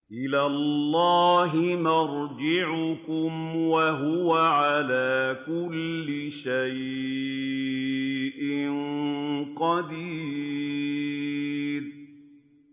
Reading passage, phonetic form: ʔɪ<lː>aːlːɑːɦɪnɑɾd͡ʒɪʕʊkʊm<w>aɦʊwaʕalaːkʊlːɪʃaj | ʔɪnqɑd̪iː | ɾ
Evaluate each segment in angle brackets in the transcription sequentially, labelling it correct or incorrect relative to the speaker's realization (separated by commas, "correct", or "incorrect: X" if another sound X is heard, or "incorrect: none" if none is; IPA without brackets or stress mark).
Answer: incorrect: l, correct